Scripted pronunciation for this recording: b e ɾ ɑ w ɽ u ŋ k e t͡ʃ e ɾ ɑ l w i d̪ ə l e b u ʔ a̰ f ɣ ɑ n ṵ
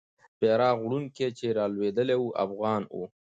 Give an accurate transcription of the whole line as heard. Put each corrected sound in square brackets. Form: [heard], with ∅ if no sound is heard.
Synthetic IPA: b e ɾ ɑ [ɣ] ɽ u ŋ k e t͡ʃ e ɾ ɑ l w [e] d̪ ə l e [w] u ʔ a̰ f ɣ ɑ n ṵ

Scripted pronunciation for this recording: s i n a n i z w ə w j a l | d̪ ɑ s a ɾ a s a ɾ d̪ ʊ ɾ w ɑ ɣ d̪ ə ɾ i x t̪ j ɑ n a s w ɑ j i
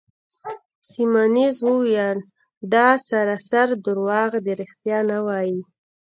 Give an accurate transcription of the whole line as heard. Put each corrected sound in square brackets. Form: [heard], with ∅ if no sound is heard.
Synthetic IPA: s i [m] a n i z w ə w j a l | d̪ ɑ s a ɾ a s a ɾ d̪ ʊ ɾ w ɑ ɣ d̪ ə ɾ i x t̪ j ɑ n a [∅] w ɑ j i

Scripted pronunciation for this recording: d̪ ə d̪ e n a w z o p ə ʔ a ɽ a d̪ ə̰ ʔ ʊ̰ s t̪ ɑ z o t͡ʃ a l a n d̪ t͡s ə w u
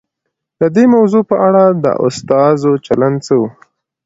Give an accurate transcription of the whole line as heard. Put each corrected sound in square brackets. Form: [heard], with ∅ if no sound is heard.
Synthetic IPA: d̪ ə d̪ e [m] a w z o p ə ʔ a ɽ a d̪ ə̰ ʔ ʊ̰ s t̪ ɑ z o t͡ʃ a l a n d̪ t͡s ə w u

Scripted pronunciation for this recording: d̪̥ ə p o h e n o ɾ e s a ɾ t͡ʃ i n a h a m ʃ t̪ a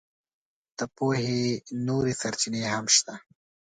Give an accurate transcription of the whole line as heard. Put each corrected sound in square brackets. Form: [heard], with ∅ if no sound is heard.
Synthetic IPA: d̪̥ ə p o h e n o ɾ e s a ɾ t͡ʃ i n [e] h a m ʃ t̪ a

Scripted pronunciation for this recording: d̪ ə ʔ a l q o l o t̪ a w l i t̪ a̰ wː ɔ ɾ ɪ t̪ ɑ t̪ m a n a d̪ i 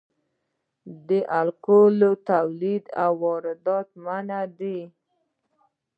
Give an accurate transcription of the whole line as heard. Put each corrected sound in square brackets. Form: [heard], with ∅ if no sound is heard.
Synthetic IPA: d̪ ə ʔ a l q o l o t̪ a w l i [d̪] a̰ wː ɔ ɾ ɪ [d̪] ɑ t̪ m a n a d̪ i

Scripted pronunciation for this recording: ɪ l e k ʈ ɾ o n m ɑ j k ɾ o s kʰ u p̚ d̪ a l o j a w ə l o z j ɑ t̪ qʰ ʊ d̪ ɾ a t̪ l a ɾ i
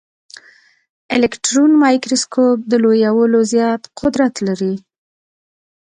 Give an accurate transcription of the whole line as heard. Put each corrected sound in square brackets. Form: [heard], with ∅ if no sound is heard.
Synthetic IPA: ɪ l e k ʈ ɾ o n m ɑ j k ɾ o s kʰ [o] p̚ d̪ [ə] l o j a w ə l o z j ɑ t̪ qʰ ʊ d̪ ɾ a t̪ l a ɾ i

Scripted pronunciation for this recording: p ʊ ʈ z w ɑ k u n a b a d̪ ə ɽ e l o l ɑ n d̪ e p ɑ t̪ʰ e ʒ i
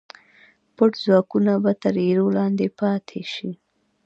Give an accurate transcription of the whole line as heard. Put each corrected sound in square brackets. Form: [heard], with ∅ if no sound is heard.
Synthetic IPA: p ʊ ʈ z w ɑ k u n a b a [t̪] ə [ɾ] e [ɾ] o l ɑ n d̪ e p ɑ t̪ʰ e [ʃ] i

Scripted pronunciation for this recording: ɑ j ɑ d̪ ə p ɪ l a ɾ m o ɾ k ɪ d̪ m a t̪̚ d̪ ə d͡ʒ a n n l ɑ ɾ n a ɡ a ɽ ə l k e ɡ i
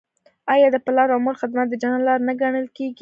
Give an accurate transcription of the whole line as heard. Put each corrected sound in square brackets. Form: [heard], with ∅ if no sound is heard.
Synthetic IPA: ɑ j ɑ d̪ ə p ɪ l [ɑ] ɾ m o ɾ [x] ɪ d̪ m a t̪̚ d̪ ə d͡ʒ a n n l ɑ ɾ n a ɡ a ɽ ə l k e ɡ i

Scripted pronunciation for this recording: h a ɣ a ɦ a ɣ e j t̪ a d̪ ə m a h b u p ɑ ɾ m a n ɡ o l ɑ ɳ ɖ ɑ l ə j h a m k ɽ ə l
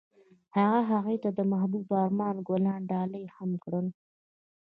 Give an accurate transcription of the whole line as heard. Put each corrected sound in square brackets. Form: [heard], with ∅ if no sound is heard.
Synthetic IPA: h a ɣ a ɦ a ɣ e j t̪ a d̪ ə m a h b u [b] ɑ ɾ m [ɑ] n ɡ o l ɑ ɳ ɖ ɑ l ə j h a m k ɽ ə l

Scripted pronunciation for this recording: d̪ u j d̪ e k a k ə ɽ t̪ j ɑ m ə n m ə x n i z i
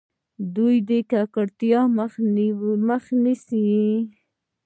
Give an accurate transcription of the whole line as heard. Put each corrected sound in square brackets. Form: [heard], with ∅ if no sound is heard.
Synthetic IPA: d̪ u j d̪ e k a k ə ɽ t̪ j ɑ m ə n m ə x n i [s] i

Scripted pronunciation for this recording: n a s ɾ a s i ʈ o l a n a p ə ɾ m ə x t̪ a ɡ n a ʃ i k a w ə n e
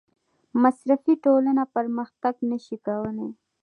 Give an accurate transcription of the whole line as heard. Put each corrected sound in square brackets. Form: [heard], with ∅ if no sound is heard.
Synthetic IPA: [m] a s ɾ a [f] i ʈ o l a n a p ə ɾ m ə x t̪ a ɡ n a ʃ i k a w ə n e

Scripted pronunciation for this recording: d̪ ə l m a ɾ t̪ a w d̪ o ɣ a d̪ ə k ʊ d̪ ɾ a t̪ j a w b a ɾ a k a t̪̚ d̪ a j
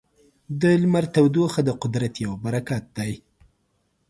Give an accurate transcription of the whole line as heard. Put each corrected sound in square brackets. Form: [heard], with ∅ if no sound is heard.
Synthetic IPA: d̪ ə l m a ɾ t̪ a w d̪ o [x] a d̪ ə [q] ʊ d̪ ɾ a t̪ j a w b a ɾ a k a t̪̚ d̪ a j

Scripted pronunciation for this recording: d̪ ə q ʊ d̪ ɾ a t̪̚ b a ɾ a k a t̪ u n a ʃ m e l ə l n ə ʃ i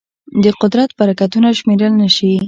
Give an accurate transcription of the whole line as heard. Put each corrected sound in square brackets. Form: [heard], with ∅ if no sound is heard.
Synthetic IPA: d̪ ə q ʊ d̪ ɾ a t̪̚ b a ɾ a k a t̪ u n a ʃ m e [ɾ] ə l n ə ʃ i

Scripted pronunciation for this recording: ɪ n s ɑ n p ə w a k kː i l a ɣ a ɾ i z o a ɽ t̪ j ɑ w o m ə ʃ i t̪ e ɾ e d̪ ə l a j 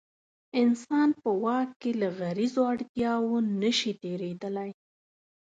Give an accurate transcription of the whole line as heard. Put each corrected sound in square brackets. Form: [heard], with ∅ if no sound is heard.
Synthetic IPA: ɪ n s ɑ n p ə w [ɑ] k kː [e] l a ɣ a ɾ i z o a ɽ t̪ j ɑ w o [n] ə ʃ i t̪ e ɾ e d̪ ə l a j

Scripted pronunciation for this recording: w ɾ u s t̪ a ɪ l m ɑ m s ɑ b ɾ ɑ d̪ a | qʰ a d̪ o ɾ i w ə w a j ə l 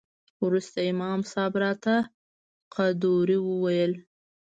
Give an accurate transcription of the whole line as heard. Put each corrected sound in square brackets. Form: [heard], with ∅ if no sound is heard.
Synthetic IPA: w ɾ u s t̪ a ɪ [∅] m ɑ m s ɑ b ɾ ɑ [t̪] a | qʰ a d̪ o ɾ i w ə w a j ə l

